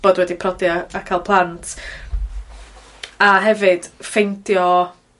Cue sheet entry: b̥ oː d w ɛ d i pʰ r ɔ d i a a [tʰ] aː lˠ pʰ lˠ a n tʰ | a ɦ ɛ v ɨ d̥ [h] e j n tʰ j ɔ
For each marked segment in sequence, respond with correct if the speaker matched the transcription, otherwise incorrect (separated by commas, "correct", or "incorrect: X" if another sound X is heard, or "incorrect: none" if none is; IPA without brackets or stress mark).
incorrect: kʰ, incorrect: f